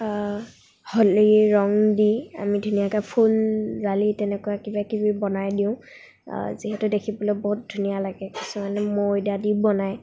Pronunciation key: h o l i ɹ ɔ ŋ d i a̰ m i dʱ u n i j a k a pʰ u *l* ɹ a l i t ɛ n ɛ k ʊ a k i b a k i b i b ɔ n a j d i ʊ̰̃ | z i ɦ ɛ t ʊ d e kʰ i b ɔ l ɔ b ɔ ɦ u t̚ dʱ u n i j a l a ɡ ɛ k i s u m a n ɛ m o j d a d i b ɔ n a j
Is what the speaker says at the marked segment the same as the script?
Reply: yes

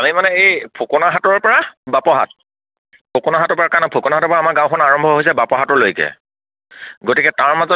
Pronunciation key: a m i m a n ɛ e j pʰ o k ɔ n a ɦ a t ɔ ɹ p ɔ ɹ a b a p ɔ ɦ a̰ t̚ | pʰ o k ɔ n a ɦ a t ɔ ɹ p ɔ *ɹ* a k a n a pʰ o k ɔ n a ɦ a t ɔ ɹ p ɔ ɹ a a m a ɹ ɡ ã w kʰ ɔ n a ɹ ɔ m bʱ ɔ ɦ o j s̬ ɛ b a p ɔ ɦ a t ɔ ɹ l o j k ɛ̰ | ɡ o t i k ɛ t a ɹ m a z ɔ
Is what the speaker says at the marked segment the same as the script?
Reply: yes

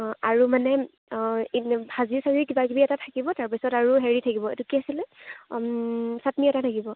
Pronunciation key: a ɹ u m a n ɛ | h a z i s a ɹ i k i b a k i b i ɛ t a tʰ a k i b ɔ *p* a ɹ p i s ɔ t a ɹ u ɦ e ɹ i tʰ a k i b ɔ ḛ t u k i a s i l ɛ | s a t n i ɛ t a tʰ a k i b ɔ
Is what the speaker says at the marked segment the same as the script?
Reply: no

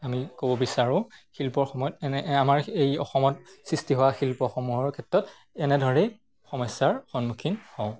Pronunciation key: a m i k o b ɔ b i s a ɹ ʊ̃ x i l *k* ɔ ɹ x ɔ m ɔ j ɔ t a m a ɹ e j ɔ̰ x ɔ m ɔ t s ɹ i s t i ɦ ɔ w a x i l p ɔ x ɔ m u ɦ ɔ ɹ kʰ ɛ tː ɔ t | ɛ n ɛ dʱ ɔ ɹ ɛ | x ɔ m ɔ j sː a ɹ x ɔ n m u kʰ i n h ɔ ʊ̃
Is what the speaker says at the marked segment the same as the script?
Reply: no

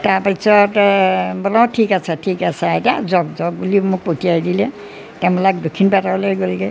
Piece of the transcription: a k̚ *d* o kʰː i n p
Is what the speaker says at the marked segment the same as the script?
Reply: yes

